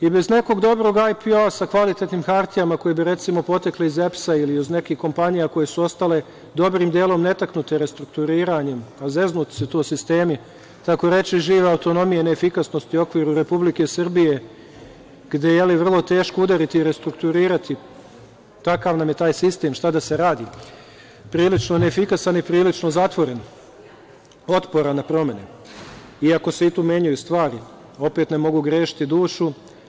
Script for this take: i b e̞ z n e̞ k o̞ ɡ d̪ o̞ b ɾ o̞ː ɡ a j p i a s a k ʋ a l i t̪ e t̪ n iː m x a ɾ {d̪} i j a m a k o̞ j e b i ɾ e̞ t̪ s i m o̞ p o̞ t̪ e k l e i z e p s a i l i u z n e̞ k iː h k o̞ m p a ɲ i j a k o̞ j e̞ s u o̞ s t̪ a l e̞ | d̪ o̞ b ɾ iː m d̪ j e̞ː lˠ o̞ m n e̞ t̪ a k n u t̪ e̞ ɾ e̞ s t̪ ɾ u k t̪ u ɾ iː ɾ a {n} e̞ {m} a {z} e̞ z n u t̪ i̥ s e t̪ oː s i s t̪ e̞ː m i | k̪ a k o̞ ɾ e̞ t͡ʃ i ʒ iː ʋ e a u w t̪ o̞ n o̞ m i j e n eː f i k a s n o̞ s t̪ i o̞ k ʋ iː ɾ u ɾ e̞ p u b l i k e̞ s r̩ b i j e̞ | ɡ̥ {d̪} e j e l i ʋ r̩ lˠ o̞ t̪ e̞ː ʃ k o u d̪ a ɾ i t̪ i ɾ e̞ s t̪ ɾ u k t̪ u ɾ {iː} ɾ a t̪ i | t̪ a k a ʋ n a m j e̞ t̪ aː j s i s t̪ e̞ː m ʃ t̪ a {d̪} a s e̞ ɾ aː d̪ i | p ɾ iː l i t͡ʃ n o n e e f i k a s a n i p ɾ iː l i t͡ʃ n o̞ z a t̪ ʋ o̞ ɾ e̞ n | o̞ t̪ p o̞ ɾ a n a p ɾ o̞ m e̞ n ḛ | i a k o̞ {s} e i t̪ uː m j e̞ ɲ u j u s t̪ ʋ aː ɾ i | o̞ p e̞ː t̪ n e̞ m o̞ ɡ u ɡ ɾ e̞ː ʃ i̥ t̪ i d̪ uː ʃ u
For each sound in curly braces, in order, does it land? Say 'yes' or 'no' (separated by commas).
no, no, yes, yes, yes, yes, yes, yes